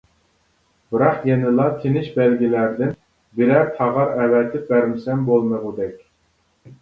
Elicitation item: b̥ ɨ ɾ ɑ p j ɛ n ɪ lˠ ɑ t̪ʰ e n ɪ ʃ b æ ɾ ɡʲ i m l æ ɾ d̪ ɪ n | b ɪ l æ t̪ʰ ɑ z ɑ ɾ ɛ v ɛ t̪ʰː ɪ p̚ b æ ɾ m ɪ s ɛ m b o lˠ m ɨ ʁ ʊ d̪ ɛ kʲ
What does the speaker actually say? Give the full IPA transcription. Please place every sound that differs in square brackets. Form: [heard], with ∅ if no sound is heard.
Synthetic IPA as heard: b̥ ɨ ɾ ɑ [q] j ɛ n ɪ lˠ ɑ t̪ʰ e n ɪ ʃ b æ [l] ɡʲ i [∅] l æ ɾ d̪ ɪ n | b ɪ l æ t̪ʰ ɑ [ʁ] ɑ ɾ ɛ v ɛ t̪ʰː ɪ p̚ b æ ɾ m ɪ s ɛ m b o lˠ m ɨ ʁ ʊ d̪ ɛ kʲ